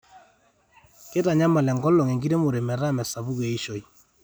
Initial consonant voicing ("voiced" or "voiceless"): voiceless